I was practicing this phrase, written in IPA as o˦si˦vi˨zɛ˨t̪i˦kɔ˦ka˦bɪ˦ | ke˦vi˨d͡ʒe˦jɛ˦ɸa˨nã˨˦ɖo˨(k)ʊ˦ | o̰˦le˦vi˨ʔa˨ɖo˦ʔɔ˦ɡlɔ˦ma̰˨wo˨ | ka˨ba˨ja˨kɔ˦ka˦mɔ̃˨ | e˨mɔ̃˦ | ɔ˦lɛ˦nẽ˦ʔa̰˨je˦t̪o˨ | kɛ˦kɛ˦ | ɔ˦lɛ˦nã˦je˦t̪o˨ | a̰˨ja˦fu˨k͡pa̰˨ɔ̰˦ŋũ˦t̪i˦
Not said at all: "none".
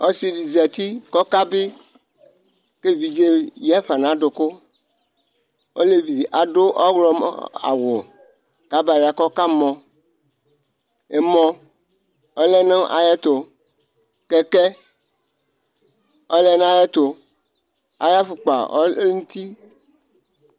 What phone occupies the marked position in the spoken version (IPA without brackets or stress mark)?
k